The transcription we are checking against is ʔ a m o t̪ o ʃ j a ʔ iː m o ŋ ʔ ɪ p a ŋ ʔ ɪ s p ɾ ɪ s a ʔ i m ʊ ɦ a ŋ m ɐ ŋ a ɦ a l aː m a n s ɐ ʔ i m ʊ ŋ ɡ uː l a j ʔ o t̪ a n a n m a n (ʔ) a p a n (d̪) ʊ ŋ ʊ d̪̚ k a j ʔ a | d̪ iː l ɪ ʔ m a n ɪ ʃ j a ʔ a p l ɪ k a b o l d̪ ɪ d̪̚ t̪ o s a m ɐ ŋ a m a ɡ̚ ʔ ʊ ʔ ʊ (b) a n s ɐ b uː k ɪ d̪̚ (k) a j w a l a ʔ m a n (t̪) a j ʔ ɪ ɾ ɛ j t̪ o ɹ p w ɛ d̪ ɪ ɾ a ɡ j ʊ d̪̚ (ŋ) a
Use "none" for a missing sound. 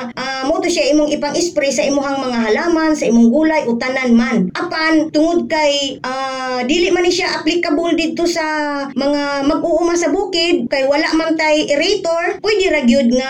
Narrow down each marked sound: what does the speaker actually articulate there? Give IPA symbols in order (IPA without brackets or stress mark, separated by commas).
ʔ, t̪, m, k, t̪, ŋ